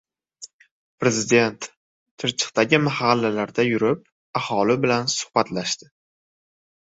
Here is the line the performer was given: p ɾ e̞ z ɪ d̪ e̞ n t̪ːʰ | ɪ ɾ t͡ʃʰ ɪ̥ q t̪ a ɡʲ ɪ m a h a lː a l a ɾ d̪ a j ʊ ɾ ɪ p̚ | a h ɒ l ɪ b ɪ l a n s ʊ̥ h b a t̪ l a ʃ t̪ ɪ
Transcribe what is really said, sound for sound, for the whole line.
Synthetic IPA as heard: p ɾ e̞ z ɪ d̪ e̞ n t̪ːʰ | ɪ ɾ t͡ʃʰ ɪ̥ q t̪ a ɡʲ ɪ m a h a lː a l a ɾ d̪ a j ʊ ɾ ɪ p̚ | a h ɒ l ɪ b ɪ l a n s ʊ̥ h b a t̪ l a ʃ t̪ ɪ